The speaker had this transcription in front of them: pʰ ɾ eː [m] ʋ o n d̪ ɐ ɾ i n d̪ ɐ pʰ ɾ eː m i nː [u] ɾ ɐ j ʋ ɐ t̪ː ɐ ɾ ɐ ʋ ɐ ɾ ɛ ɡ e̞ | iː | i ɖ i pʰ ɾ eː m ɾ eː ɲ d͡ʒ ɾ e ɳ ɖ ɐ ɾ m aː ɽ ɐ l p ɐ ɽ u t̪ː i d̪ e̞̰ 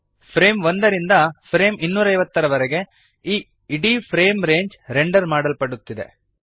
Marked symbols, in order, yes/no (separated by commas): yes, no